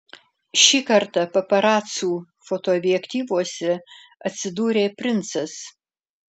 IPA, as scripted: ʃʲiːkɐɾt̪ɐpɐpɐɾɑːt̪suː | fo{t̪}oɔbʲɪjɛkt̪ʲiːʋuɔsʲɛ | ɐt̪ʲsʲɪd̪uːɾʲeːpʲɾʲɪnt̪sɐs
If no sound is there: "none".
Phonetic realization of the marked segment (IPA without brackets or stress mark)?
t̪